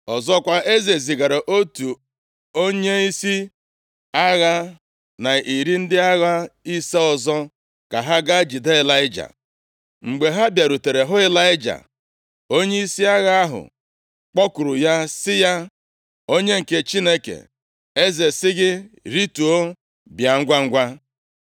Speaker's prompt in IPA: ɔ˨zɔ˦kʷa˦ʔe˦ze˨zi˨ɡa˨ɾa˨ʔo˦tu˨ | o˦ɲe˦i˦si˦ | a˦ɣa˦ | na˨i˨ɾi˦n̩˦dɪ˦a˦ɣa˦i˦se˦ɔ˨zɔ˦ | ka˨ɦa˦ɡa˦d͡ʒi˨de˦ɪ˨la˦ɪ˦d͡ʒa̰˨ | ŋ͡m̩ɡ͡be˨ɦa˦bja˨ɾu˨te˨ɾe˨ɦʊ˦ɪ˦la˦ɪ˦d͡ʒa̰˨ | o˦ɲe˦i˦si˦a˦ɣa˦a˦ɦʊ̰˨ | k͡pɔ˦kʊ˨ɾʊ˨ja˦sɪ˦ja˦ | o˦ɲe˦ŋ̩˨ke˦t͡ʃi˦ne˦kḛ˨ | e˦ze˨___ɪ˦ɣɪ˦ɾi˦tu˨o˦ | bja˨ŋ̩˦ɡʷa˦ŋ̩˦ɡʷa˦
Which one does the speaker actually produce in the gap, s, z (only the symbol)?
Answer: s